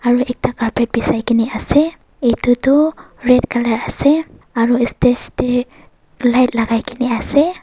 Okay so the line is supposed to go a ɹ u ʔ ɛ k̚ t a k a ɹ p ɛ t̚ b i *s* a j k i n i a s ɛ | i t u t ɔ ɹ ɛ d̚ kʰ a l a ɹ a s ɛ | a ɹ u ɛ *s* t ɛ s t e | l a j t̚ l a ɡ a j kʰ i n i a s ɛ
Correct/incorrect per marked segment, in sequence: correct, correct

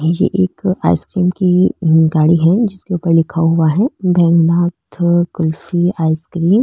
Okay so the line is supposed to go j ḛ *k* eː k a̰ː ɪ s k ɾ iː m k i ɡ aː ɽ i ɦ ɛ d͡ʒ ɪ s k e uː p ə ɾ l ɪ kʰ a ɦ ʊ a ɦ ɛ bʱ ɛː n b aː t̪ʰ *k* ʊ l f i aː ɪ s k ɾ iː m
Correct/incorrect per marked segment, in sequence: incorrect: ʔ, correct

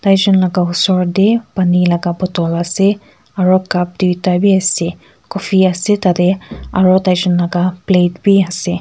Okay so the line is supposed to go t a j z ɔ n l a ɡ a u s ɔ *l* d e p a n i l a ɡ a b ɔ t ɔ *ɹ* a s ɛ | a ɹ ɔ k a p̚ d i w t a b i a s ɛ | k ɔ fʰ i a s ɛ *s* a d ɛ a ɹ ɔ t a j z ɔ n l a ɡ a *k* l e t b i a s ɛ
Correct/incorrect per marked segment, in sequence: incorrect: ɹ, incorrect: l, incorrect: t, incorrect: p

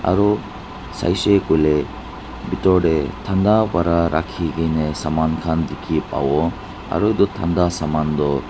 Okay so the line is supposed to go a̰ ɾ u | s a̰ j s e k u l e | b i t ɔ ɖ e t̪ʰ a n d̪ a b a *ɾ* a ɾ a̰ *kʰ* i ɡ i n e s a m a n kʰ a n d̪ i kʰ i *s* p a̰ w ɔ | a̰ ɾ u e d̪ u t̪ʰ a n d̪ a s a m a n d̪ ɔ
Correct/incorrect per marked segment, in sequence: correct, correct, incorrect: none

